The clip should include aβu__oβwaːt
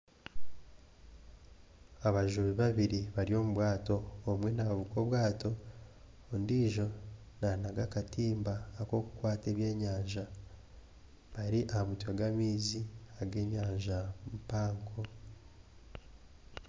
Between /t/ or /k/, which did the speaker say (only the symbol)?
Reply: k